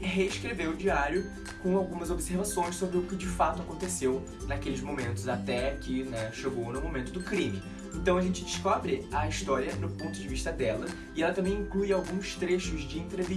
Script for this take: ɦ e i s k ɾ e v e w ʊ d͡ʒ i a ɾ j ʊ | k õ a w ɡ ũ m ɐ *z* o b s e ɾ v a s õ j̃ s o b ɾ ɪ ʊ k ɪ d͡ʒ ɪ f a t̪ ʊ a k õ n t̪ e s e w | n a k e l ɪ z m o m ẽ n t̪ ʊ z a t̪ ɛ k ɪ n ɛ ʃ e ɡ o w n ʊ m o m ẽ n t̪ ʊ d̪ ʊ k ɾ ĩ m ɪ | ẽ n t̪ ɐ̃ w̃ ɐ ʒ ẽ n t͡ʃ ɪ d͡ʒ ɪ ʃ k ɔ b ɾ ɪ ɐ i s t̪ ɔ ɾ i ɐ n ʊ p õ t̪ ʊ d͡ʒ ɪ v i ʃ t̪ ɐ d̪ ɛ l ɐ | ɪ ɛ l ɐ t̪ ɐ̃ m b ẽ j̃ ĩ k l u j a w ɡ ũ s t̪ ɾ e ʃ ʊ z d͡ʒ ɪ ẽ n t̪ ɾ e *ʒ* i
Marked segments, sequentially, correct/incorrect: correct, incorrect

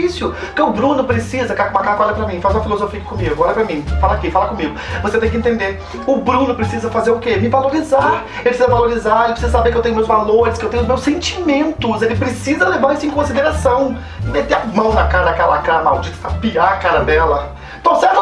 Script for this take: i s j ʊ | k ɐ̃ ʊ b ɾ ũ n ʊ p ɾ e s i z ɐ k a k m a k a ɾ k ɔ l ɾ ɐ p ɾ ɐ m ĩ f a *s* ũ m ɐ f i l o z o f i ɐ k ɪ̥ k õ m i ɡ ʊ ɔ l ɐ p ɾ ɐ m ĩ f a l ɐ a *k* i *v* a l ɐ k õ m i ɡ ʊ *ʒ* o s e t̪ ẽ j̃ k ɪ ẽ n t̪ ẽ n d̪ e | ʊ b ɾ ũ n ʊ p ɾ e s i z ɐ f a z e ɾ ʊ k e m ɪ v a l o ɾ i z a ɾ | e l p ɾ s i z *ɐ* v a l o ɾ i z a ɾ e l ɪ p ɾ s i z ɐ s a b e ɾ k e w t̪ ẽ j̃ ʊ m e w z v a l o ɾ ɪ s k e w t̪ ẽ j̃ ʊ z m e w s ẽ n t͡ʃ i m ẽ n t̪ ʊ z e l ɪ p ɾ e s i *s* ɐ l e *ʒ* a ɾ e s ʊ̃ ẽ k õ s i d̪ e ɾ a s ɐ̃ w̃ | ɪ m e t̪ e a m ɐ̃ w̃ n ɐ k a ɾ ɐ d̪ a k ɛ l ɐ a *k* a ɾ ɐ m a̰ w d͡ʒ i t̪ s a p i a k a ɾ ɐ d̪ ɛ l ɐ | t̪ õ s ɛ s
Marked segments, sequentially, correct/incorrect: incorrect, correct, incorrect, incorrect, correct, incorrect, incorrect, correct

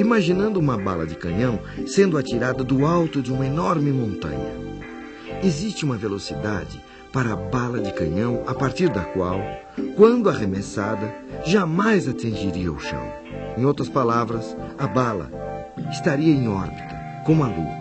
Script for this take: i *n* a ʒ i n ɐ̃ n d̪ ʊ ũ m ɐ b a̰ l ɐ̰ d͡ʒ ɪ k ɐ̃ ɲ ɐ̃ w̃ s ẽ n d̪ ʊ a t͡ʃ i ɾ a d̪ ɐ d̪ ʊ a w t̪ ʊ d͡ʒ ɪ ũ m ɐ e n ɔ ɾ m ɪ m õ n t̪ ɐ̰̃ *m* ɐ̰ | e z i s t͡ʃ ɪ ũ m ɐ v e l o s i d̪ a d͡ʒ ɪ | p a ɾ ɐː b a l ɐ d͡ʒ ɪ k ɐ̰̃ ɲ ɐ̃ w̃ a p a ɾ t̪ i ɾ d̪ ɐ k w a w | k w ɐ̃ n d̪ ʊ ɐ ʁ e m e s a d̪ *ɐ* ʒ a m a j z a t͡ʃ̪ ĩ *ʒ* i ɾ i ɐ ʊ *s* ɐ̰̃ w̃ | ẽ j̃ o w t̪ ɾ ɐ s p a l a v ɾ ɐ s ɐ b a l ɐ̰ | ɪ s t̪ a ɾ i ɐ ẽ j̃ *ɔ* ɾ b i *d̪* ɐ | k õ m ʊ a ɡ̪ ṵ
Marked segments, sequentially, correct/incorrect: incorrect, incorrect, correct, correct, incorrect, correct, incorrect

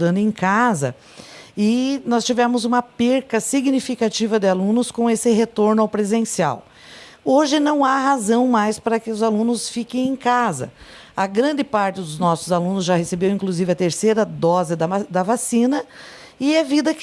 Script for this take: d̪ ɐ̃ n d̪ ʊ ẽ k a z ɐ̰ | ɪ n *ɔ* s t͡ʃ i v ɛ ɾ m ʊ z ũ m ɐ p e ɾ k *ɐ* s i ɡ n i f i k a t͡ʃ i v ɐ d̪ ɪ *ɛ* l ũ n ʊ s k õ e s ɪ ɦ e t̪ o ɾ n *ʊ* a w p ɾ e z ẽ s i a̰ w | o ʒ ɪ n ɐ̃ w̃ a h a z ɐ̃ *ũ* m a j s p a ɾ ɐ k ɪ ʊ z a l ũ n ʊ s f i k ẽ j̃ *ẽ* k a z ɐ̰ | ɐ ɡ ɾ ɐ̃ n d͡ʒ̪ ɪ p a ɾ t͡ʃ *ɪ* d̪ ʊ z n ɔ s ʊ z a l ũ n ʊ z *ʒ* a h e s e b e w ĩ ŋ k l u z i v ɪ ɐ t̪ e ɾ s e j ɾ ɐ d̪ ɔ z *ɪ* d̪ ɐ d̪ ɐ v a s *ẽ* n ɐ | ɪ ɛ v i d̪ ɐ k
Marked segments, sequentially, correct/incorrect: correct, correct, incorrect, correct, incorrect, correct, correct, correct, correct, incorrect

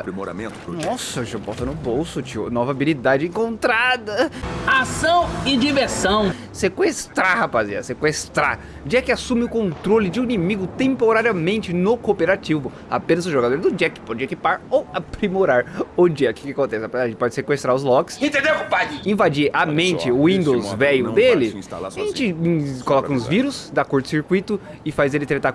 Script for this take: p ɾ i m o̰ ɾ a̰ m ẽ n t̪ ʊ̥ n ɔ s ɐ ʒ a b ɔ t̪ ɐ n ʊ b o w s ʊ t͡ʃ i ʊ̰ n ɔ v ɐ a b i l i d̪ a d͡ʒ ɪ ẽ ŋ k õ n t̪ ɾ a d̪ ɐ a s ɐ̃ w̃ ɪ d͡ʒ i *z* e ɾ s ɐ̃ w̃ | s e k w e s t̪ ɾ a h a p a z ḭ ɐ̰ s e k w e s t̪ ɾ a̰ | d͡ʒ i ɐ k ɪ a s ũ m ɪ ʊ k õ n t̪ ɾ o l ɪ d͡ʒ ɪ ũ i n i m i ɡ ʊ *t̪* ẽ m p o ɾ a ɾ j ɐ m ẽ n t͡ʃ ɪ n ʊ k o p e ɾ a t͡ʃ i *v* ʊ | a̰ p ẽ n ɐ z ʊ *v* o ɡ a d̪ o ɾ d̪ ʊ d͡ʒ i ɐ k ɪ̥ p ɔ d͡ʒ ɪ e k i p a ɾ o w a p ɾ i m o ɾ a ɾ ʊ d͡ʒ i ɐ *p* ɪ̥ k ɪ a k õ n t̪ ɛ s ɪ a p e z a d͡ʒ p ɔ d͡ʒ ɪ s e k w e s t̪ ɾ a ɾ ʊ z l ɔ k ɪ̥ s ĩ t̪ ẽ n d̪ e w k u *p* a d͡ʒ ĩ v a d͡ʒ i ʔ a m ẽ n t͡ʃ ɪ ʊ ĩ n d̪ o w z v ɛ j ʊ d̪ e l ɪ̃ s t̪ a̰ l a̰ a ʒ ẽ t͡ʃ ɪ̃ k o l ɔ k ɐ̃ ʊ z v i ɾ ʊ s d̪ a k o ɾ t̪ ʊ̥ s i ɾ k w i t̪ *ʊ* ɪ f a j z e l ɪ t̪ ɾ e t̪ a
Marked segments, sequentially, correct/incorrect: incorrect, correct, correct, incorrect, incorrect, correct, correct

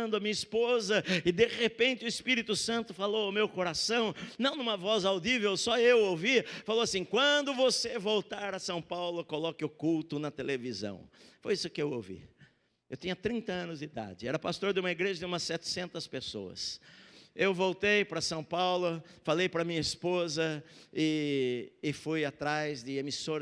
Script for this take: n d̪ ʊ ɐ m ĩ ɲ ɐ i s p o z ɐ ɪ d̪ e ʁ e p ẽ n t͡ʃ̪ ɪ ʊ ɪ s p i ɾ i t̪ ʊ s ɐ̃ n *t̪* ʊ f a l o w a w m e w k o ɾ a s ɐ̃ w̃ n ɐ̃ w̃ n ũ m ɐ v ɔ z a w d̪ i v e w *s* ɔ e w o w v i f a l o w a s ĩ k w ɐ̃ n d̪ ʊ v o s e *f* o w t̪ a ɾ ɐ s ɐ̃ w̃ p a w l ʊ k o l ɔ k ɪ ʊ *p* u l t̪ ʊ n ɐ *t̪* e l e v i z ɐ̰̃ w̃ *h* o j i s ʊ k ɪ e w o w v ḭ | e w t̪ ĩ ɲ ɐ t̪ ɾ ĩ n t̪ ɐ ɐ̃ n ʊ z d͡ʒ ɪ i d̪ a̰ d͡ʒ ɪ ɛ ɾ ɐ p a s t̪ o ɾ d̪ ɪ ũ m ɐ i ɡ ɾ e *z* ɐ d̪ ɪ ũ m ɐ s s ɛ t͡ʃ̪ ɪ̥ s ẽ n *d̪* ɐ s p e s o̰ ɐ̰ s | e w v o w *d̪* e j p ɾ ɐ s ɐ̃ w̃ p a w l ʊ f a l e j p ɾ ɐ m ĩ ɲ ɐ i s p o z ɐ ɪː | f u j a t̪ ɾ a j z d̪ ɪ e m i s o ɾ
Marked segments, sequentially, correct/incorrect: correct, correct, incorrect, incorrect, correct, incorrect, incorrect, incorrect, incorrect

